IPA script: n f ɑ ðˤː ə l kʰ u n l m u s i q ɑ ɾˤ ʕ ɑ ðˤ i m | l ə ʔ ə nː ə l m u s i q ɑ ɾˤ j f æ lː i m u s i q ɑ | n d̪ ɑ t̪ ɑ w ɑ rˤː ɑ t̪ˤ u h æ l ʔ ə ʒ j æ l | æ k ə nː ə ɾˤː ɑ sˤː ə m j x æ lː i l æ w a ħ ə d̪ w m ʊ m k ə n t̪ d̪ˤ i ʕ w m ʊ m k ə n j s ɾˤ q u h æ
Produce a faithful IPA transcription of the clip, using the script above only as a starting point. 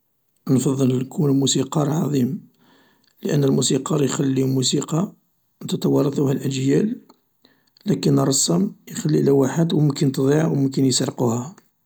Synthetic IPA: n f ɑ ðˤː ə l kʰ u n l m u s i q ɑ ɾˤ ʕ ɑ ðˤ i m | l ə ʔ ə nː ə l m u s i q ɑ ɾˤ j x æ lː i m u s i q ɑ | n t̪ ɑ t̪ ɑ w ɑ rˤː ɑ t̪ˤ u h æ l ʔ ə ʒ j æ l | æ k ə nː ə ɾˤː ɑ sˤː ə m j x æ lː i l æ w a ħ ə d̪ w m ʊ m k ə n t̪ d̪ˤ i ʕ w m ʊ m k ə n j s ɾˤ q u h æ